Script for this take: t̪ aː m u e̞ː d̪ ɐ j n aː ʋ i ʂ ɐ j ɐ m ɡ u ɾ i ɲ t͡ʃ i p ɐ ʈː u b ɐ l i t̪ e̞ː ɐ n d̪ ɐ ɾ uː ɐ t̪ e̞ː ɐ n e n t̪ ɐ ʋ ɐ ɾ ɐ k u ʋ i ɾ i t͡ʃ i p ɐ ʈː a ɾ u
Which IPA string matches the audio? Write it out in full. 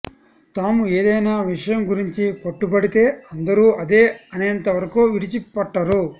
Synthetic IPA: t̪ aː m u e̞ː d̪ ɐ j n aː ʋ i ʂ ɐ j ɐ m ɡ u ɾ i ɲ t͡ʃ i p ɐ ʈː u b ɐ ɽ i t̪ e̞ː ɐ n d̪ ɐ ɾ uː ɐ d̪ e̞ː ɐ n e n t̪ ɐ ʋ ɐ ɾ ɐ k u ʋ i ɽ i t͡ʃ i p ɐ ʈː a ɾ u